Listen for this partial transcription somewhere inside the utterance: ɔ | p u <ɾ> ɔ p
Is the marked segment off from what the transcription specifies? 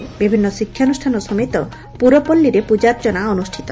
no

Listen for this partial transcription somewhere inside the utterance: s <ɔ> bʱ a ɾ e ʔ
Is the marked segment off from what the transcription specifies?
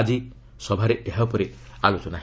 no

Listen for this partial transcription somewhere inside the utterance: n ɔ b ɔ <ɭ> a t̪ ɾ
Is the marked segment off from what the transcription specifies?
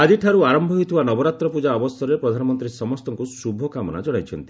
yes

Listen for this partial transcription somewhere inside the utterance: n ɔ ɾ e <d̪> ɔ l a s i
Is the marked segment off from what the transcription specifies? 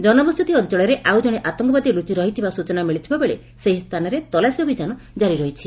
yes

